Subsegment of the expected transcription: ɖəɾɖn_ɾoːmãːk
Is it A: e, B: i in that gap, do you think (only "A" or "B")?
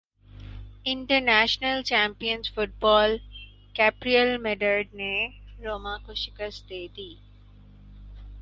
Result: A